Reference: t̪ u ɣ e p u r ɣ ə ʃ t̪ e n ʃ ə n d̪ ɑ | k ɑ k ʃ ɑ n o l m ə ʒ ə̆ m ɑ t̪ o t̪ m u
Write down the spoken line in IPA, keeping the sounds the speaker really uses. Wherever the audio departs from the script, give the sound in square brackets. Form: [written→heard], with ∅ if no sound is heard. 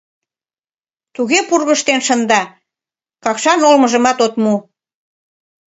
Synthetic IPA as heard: t̪ u ɣ e p u r ɣ ə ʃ t̪ e n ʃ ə n d̪ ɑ | k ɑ k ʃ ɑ n o l m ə ʒ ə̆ m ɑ t̪ o t̪ m u